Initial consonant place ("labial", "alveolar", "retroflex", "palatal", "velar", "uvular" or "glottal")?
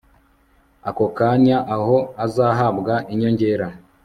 velar